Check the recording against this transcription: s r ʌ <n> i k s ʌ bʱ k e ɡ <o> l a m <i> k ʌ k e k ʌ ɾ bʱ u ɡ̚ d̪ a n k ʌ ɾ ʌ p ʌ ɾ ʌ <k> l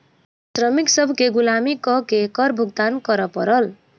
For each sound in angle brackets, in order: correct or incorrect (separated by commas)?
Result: incorrect, incorrect, correct, incorrect